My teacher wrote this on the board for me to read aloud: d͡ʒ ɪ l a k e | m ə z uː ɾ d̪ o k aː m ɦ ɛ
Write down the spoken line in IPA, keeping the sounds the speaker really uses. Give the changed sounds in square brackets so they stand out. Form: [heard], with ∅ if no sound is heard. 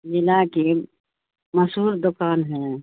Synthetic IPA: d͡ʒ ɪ l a k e | m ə [s] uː ɾ d̪ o k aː [n] ɦ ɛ